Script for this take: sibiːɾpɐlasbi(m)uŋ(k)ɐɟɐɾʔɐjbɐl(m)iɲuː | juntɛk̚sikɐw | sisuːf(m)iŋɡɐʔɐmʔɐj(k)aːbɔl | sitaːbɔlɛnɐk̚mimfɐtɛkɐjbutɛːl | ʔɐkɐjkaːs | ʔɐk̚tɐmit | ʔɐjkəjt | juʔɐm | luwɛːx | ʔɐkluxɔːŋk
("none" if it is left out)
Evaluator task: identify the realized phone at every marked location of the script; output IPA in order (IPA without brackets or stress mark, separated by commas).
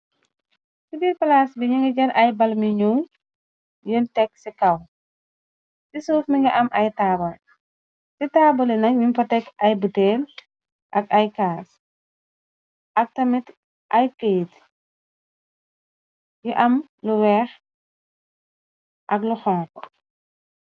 ɲ, ɡ, m, m, t